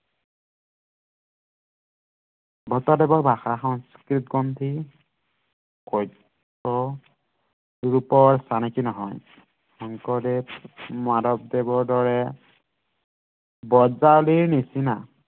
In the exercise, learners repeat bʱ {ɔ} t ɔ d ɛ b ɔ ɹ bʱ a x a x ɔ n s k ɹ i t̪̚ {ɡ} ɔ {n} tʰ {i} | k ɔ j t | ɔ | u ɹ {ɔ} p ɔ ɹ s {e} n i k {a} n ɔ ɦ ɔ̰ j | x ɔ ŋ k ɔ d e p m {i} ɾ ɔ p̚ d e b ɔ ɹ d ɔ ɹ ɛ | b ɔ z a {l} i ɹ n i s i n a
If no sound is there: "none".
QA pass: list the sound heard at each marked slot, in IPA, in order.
ɔ, ɡ, n, i, u, a, i, a, l

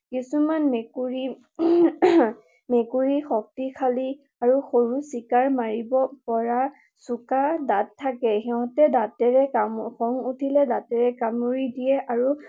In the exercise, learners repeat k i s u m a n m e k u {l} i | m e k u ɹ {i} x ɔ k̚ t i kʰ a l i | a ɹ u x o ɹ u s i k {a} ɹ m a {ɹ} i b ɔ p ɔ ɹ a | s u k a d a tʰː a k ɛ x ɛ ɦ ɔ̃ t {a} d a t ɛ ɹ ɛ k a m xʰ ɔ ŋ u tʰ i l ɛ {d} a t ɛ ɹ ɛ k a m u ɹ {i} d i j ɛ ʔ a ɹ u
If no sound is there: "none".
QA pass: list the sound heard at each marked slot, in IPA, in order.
ɹ, i, a, ɹ, ɛ, d, i

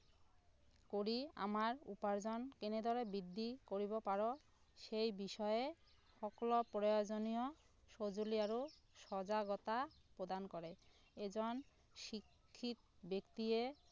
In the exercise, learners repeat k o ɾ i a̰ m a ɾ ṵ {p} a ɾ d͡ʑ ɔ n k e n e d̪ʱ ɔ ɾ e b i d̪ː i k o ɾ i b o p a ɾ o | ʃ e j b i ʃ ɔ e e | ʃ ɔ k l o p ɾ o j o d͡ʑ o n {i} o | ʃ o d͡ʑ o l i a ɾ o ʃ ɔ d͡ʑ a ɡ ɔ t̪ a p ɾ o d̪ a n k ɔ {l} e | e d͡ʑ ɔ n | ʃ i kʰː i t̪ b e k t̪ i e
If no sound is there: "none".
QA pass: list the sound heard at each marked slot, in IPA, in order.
p, i, ɾ

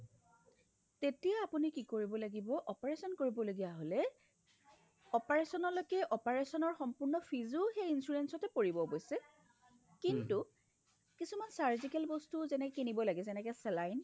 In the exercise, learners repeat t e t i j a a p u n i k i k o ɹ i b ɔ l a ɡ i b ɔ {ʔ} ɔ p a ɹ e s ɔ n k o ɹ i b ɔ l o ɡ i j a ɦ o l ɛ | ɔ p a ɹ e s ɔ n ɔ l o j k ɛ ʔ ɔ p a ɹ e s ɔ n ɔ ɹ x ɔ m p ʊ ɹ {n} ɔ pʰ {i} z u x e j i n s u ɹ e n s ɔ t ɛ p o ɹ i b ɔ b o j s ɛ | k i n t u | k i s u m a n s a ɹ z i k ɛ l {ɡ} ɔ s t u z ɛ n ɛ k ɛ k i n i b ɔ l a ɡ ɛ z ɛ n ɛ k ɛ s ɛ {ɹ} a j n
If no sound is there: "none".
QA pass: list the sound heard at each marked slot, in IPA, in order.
ʔ, n, i, b, l

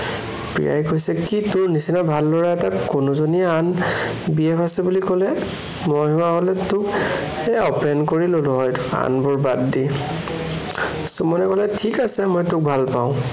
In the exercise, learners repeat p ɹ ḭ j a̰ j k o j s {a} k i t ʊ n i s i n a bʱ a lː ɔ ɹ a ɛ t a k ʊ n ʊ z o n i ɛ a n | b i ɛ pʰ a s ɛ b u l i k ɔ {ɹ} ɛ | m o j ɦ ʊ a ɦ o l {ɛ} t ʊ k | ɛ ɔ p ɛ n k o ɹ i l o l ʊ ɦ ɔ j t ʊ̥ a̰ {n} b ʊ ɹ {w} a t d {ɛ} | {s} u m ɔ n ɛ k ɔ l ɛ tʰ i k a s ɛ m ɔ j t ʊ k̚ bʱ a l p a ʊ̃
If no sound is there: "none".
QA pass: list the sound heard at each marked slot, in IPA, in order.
ɛ, l, ɛ, n, b, i, s

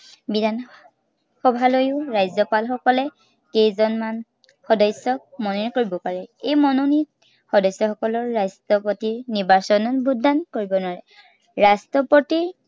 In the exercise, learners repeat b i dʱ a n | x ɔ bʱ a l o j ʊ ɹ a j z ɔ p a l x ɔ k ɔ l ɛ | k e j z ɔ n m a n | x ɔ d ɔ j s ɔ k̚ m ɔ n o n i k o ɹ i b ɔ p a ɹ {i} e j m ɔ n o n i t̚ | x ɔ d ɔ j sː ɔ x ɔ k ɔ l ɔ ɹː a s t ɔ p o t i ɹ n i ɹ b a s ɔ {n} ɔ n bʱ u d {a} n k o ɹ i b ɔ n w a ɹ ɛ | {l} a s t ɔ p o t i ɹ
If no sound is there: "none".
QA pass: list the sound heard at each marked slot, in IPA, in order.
ɛ, n, a, ɹ

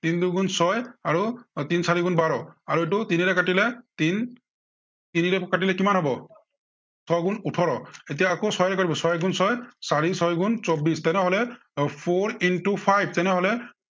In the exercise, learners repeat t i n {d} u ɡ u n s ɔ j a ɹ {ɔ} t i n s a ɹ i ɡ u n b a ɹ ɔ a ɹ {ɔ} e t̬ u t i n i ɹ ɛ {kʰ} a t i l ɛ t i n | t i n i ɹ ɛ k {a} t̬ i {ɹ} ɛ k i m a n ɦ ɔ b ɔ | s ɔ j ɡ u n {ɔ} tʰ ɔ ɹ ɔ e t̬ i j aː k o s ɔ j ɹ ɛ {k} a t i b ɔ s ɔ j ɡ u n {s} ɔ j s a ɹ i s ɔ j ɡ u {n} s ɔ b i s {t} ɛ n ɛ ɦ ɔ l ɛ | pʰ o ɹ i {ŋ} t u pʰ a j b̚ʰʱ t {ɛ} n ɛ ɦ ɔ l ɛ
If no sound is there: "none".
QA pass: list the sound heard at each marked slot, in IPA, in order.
d, u, u, k, a, l, u, k, s, n, t, n, ɛ

